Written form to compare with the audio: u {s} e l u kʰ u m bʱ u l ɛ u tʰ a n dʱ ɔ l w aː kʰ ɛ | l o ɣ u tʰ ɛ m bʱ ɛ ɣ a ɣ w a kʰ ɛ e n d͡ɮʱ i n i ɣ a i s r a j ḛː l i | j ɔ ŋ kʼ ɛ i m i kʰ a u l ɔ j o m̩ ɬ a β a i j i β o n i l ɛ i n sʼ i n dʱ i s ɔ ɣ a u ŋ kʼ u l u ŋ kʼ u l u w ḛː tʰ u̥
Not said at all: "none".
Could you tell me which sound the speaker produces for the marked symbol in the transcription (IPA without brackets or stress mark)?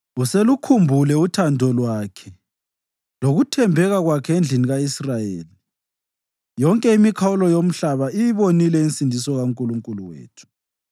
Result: s